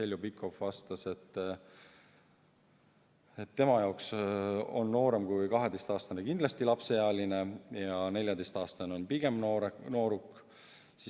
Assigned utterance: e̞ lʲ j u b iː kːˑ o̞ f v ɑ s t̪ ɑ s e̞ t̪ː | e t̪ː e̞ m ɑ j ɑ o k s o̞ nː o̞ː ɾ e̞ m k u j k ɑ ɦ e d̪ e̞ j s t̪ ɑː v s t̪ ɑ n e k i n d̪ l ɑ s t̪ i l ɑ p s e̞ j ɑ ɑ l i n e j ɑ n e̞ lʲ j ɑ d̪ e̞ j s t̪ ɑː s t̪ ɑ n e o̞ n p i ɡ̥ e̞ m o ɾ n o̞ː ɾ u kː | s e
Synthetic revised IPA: e̞ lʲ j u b i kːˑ o̞ f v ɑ s t̪ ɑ s e̞ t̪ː | e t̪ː e̞ m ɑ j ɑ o k s o̞ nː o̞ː ɾ e̞ m k u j k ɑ ɦ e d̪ e̞ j s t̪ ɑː s t̪ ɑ n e k i n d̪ l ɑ s t̪ i l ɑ p s e̞ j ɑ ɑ l i n e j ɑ n e̞ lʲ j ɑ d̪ e̞ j s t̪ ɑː s t̪ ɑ n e o̞ n p i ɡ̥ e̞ m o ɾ n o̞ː ɾ u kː | s i

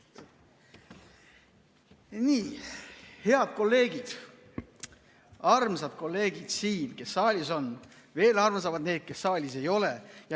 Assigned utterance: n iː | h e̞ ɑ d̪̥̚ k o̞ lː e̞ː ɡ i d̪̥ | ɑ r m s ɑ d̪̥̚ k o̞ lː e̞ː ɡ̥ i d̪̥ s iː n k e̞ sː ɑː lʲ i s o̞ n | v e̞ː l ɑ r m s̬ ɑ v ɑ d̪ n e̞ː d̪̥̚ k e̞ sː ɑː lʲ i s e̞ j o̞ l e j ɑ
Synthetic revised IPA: n iː | h e̞ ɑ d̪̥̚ k o̞ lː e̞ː ɡ i d̪̥ | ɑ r m s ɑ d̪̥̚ k o̞ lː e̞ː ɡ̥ i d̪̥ s iː n k e̞ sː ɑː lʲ i s o̞ n | v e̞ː l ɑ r m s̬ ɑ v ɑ d̪ n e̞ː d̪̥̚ k e̞ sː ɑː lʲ i s e̞ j o̞ l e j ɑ

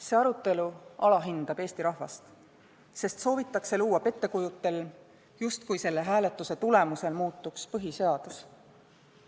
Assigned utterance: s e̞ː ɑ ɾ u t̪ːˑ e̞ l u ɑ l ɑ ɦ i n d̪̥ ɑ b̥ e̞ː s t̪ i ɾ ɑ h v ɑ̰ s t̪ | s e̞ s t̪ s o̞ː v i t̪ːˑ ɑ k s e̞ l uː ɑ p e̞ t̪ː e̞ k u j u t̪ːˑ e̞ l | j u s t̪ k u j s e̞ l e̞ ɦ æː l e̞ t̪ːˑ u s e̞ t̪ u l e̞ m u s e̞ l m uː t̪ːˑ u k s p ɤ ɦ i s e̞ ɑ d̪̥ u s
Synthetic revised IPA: s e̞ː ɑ ɾ u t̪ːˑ e̞ l u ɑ l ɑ ɦ i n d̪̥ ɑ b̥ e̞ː s t̪ i ɾ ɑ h v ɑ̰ s t̪ | s e̞ s t̪ s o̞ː v i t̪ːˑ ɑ k s e̞ l uː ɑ p e̞ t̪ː e̞ k u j u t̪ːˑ e̞ l | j u s t̪ k u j s e̞ lː e̞ ɦ æː l e̞ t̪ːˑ u s e̞ t̪ u l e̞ m u s e̞ l m uː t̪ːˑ u k s p ɤ ɦ i s e̞ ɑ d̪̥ u s

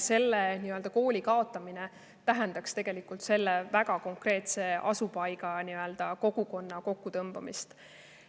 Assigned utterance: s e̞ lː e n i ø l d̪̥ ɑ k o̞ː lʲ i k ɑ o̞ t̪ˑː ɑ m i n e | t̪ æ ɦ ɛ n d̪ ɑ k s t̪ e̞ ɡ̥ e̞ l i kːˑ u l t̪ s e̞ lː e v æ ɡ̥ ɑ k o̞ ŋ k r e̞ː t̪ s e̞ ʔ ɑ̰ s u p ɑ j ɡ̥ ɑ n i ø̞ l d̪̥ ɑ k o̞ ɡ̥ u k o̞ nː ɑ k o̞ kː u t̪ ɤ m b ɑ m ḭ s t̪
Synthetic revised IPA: s e̞ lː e n i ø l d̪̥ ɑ k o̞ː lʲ i k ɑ o̞ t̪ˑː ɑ m i n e | t̪ æ ɦ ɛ n d̪ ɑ k s t̪ e̞ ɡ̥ e̞ l i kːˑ u l t̪ s e̞ lː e v æ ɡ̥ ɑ k o̞ ŋ k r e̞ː t̪ s e̞ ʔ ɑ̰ s u p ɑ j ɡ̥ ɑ n i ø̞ l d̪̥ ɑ k o̞ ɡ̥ u k o̞ nː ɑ k o̞ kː u t̪ ɤ m b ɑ m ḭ s t̪

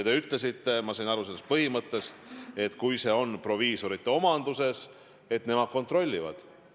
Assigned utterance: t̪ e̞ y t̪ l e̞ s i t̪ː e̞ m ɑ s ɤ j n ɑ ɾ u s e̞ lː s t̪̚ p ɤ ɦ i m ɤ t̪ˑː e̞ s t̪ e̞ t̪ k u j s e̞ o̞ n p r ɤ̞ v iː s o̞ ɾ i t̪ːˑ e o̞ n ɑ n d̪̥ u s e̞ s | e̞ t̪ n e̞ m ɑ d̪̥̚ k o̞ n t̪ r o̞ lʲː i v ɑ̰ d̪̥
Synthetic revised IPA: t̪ e̞ y t̪ l e̞ s i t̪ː e̞ m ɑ s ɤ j n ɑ ɾ u s e̞ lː s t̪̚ p ɤ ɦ i m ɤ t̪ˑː e̞ s t̪ e̞ t̪ k u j s e̞ o̞ n p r o̞ v iː s o̞ ɾ i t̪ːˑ e o̞ m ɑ n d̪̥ u s e̞ s | e̞ t̪ n e̞ m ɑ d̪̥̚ k o̞ n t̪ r o̞ lʲː i v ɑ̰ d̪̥

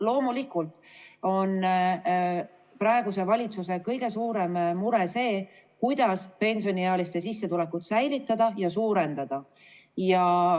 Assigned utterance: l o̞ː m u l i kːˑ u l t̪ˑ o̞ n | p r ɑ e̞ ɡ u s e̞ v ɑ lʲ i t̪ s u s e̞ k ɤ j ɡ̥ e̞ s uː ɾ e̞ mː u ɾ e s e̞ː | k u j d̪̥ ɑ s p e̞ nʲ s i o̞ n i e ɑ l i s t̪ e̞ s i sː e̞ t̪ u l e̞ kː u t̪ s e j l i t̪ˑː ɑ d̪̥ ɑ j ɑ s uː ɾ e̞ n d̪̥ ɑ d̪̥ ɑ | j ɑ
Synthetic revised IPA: l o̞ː m u l i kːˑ u l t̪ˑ o̞ n | p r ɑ e̞ ɡ u s e̞ v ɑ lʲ i t̪ s u s e̞ k ɤ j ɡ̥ e̞ s uː ɾ e̞ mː u ɾ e s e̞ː | k u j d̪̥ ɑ s p e̞ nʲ s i o̞ n i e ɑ l i s t̪ e̞ s i sː e̞ t̪ u l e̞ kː u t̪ s æ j l i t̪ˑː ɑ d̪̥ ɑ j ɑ s uː ɾ e̞ n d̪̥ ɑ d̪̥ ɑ | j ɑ

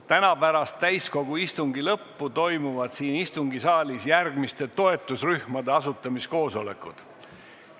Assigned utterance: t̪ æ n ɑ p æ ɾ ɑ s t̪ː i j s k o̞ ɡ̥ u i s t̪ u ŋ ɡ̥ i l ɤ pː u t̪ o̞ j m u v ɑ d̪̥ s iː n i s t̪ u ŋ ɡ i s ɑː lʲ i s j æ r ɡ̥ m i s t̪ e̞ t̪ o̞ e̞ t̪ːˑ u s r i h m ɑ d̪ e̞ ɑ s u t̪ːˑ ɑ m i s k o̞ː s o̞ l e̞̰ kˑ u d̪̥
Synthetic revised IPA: t̪ æ n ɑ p æ ɾ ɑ s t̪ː æ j s k o̞ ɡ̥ u i s t̪ u ŋ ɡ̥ i l ɤ pː u t̪ o̞ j m u v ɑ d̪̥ s iː n i s t̪ u ŋ ɡ i s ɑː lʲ i s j æ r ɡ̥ m i s t̪ e̞ t̪ o̞ e̞ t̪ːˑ u s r y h m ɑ d̪ e̞ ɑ s u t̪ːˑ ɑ m i s k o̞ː s o̞ l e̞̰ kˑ u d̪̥

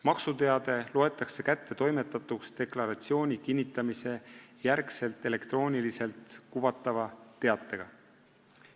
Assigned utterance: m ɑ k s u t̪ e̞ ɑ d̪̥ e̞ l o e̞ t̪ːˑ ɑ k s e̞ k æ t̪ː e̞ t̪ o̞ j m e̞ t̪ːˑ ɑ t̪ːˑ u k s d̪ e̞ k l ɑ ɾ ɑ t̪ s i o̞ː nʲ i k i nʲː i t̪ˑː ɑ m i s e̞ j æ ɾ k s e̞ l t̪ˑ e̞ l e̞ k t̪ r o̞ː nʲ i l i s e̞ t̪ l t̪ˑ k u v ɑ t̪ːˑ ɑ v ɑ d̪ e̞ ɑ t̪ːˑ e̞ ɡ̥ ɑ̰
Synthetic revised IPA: m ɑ k s u t̪ e̞ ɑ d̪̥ e̞ l o e̞ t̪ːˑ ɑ k s e̞ k æ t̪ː e̞ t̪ o̞ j m e̞ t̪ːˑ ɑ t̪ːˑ u k s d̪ e̞ k l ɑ ɾ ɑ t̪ s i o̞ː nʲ i k i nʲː i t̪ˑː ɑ m i s e̞ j æ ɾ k s e̞ l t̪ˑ e̞ l e̞ k t̪ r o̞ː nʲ i l i s e̞ l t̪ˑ k u v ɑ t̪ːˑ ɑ v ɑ t̪ e̞ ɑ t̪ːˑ e̞ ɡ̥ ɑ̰

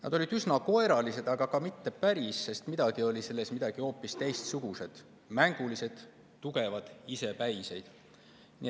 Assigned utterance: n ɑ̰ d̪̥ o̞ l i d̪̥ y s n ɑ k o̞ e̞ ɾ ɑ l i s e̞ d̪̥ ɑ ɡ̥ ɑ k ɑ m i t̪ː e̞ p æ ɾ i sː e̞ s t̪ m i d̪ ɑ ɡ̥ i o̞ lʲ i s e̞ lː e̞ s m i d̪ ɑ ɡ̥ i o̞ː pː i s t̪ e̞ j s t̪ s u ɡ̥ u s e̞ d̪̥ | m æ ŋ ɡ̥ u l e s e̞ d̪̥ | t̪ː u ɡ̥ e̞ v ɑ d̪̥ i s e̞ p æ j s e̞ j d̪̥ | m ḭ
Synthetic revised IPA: n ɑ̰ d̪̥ o̞ l i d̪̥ y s n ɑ k o̞ e̞ ɾ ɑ l i s e̞ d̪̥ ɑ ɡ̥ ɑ k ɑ m i t̪ː e̞ p æ ɾ i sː e̞ s t̪ m i d̪ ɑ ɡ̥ i o̞ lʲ i s e̞ lː e̞ s m i d̪ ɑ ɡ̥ i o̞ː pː i s t̪ e̞ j s t̪ s u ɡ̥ u s e̞ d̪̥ | m æ ŋ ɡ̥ u l i s e̞ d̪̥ | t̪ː u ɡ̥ e̞ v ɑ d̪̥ i s e̞ p æ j s e̞ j d̪̥ | n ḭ

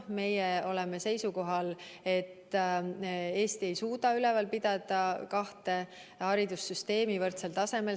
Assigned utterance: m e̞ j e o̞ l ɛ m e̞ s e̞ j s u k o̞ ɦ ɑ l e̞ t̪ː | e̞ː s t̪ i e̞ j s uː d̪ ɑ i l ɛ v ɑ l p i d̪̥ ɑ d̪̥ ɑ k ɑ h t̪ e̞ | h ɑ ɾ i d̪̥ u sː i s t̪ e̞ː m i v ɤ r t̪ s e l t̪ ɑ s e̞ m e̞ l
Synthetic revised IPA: m e̞ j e o̞ l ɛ m e̞ s e̞ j s u k o̞ ɦ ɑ l e̞ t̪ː | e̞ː s t̪ i e̞ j s uː d̪ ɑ y l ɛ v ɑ l p i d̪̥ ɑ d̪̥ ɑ k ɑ h t̪ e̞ | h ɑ ɾ i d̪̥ u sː y s t̪ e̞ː m i v ɤ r t̪ s e l t̪ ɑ s e̞ m e̞ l

